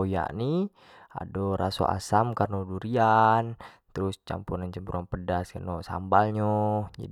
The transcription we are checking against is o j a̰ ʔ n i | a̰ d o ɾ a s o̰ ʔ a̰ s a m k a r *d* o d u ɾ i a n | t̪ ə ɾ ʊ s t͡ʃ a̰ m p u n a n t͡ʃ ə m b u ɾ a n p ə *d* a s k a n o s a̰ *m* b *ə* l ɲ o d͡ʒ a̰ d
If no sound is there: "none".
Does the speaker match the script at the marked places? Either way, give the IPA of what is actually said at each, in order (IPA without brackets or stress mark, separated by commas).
n, d, m, a